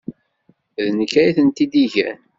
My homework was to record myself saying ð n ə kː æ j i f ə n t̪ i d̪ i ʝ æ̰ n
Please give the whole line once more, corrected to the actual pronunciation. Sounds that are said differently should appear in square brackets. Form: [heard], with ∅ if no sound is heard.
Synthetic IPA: ð n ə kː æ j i [θ] ə n t̪ i d̪ i ʝ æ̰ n

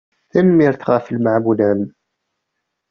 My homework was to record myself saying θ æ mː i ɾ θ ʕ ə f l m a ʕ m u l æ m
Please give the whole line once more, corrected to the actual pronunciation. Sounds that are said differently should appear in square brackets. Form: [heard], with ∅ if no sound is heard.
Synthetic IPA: θ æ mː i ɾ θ [ʁ] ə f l m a ʕ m u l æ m

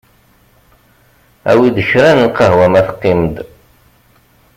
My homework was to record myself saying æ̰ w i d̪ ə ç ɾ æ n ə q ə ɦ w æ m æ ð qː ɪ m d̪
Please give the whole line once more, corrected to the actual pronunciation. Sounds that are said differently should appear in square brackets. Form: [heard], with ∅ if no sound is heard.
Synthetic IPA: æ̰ w i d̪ ə ç ɾ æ n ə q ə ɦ w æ m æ [θ] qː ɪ m d̪

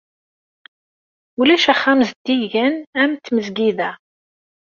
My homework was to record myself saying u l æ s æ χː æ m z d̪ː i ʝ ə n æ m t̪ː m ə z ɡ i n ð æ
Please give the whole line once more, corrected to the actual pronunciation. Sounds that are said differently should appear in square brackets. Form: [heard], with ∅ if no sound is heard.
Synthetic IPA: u l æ [ʃ] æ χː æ m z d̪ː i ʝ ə n æ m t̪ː m ə z ɡ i [∅] ð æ

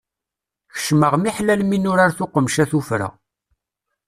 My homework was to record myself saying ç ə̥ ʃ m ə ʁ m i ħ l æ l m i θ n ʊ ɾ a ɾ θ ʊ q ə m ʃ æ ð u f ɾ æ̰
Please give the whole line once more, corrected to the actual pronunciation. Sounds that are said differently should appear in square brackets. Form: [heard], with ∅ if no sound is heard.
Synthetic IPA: ç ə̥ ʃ m ə ʁ m i ħ l æ l m i [∅] n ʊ ɾ a ɾ θ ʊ q ə m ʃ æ [θ] u f ɾ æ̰

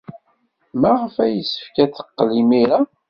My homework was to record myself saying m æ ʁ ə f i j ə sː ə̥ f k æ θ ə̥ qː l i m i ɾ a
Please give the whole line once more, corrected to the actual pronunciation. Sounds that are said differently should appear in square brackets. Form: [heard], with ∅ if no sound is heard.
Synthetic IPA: m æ ʁ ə f [æ] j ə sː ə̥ f k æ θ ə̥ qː l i m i ɾ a

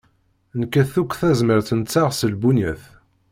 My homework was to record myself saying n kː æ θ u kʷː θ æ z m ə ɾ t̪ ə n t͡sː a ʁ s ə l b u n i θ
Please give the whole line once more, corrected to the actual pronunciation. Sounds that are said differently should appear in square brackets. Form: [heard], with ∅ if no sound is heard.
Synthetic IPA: n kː æ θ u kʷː θ æ z m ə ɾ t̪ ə n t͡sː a ʁ s ə l b u n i θ

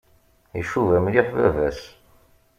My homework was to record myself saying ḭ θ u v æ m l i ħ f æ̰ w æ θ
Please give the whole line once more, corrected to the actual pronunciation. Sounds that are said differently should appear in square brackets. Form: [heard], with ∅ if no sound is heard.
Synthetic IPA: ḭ [ʃ] u v æ m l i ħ [v] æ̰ [v] æ [s]

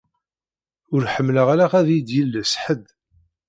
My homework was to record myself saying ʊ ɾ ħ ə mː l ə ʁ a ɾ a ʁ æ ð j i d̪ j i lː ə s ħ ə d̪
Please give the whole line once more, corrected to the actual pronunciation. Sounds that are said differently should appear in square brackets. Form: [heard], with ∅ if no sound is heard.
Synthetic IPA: ʊ ɾ ħ ə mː l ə ʁ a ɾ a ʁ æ ð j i d̪ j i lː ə s ħ ə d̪

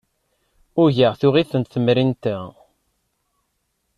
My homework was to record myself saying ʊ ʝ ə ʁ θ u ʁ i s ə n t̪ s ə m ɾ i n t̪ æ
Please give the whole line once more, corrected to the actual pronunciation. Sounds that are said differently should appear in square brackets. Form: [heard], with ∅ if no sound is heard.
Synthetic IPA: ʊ ʝ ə ʁ θ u ʁ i [θ] ə n t̪ [θ] ə m ɾ i n t̪ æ

